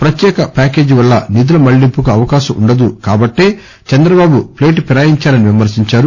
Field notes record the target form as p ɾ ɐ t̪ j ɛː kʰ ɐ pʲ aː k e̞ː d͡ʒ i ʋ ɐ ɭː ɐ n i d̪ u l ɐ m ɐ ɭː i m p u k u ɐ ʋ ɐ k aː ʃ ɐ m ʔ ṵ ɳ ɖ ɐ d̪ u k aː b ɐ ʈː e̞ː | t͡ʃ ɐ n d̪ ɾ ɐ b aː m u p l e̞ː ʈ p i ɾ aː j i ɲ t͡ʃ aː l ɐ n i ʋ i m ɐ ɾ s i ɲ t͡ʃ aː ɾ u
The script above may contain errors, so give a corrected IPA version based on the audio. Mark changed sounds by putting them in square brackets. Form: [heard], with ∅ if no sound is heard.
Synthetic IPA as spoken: p ɾ ɐ t̪ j ɛː [k] ɐ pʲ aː k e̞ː d͡ʒ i ʋ ɐ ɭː ɐ n i d̪ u l ɐ m ɐ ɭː i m p u k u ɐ ʋ ɐ k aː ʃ ɐ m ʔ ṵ ɳ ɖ ɐ d̪ u k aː b ɐ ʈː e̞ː | t͡ʃ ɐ n d̪ ɾ ɐ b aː [b] u p l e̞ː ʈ p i ɾ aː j i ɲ t͡ʃ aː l ɐ n i ʋ i m ɐ ɾ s i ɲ t͡ʃ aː ɾ u